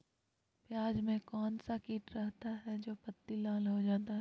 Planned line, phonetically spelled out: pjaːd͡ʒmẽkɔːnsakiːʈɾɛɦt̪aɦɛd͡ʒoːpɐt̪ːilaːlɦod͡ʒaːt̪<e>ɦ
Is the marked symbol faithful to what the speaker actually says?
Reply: no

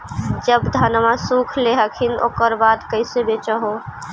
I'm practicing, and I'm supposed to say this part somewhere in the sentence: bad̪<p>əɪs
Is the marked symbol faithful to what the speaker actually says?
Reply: no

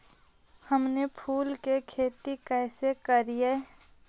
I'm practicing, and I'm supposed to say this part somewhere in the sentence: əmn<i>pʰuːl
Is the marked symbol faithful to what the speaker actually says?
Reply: no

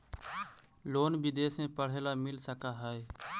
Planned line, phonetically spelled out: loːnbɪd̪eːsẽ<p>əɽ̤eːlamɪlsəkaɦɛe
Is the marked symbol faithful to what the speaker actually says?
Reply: yes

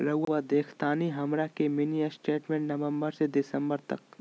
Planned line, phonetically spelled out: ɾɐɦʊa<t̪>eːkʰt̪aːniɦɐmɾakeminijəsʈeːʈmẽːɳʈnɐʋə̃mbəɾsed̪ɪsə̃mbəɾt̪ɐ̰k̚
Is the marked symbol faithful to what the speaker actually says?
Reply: no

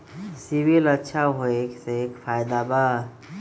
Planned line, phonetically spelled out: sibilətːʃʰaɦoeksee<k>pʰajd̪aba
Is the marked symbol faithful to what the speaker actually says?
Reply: yes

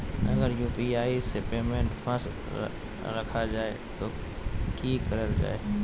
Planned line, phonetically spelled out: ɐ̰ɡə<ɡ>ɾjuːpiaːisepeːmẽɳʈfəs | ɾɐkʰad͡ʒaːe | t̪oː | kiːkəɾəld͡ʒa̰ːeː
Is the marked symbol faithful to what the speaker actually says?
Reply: no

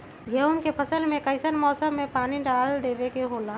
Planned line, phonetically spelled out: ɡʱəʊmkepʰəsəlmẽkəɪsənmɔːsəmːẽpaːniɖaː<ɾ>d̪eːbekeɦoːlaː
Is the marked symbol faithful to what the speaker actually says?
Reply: no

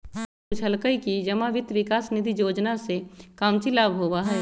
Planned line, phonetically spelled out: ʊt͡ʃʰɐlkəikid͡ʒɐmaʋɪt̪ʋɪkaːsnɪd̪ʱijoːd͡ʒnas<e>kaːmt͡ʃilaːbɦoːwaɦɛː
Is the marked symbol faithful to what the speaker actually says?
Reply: yes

